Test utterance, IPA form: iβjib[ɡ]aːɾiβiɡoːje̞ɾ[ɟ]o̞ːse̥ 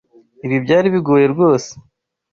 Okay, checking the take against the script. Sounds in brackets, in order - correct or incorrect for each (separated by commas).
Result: incorrect, incorrect